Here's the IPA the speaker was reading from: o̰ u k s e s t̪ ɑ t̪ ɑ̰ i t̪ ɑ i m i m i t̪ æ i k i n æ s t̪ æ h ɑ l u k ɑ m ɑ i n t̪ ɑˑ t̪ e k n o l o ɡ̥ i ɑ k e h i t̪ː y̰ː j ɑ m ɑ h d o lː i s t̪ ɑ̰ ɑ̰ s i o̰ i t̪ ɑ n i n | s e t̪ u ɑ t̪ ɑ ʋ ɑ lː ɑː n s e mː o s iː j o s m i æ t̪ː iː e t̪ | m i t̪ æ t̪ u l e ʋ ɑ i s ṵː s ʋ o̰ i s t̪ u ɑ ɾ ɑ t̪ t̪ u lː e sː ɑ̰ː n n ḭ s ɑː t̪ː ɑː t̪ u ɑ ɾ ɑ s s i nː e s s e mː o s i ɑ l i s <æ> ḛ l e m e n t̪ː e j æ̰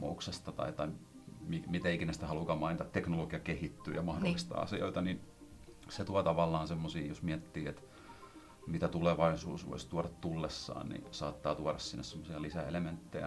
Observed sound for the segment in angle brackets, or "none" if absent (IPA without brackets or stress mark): æ